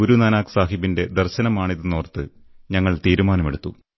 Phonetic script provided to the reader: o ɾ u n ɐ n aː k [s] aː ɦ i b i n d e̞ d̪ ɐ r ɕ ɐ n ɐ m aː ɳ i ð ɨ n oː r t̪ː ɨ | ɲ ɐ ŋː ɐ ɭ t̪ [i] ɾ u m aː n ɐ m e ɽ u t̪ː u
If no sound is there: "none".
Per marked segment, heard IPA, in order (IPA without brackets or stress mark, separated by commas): s, iː